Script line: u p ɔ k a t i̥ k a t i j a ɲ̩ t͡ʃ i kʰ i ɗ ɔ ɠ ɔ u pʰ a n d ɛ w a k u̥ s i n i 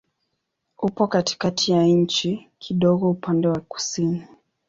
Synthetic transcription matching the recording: u p ɔ k a t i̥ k a t i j a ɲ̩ t͡ʃ i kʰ i ɗ ɔ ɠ ɔ u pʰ a n d ɛ w a k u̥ s i n i